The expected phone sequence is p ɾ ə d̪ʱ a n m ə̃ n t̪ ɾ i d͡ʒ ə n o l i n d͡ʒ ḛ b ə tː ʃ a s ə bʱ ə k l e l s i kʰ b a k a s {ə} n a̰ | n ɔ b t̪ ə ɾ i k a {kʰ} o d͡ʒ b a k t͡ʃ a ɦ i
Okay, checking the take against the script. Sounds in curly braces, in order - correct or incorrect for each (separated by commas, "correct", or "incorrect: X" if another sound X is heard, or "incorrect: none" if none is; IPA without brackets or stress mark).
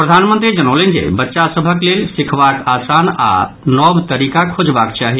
incorrect: a, correct